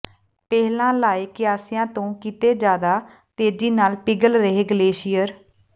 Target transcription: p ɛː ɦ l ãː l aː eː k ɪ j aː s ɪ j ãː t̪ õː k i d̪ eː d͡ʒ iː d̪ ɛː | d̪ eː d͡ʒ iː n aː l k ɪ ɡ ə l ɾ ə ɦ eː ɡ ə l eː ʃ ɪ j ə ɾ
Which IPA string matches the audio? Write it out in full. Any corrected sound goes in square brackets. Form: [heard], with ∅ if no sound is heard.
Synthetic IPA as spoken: p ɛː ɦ l ãː l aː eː k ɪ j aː s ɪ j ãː t̪ õː k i [t̪] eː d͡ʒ [aː] d̪ [aː] | [t̪] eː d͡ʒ iː n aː l [p] ɪ ɡ ə l ɾ ə ɦ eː ɡ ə l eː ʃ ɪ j ə ɾ